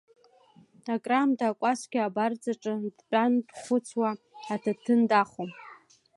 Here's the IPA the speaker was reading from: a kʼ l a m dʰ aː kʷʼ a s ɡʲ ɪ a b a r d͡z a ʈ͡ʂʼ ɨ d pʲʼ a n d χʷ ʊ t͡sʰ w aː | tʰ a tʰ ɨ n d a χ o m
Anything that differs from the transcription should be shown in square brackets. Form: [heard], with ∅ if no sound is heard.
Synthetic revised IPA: a kʼ [r] a m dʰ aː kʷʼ a s ɡʲ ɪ a b a r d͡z a ʈ͡ʂʼ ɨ d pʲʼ a n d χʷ ʊ t͡sʰ w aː | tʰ a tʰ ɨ n d a χ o m